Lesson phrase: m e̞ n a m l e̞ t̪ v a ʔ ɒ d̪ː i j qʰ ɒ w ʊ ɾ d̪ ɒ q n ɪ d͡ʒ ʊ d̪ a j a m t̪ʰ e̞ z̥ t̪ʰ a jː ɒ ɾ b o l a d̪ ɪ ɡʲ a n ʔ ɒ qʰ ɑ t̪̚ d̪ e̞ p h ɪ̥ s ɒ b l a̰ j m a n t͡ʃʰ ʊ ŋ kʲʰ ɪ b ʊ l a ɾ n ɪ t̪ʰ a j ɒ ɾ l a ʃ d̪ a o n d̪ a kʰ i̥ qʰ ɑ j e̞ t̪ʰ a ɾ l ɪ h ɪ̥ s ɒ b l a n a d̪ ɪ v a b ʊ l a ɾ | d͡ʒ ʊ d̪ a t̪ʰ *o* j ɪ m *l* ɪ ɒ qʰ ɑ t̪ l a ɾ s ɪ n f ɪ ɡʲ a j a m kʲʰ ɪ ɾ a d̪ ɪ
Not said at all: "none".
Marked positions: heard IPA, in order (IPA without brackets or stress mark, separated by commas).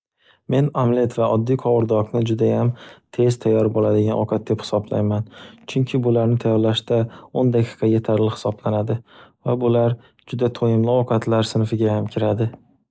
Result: o, l